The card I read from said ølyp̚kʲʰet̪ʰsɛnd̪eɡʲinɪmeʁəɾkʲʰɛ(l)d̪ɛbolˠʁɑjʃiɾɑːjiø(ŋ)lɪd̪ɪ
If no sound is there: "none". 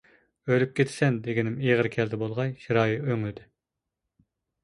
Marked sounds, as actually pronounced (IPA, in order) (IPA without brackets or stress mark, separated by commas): l, ŋ